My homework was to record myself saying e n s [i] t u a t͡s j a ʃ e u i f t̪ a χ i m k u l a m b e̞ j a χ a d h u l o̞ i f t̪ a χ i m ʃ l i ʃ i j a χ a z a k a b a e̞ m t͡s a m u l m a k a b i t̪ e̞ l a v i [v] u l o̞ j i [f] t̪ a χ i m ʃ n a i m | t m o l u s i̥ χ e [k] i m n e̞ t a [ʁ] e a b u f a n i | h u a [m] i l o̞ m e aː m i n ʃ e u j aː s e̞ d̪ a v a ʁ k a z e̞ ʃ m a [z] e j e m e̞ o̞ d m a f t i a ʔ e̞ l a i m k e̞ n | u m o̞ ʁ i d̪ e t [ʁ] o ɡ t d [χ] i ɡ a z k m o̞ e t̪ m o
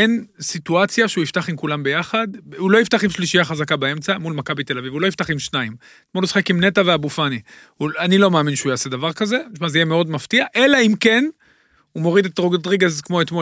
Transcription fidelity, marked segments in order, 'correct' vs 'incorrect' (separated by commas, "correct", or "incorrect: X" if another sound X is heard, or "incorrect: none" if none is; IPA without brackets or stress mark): correct, correct, correct, correct, incorrect: v, incorrect: n, correct, correct, incorrect: ʁ